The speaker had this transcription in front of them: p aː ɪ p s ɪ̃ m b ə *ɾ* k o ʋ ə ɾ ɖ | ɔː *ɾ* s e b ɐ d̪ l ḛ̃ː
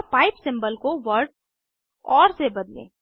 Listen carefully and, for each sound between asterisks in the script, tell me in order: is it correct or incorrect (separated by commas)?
incorrect, correct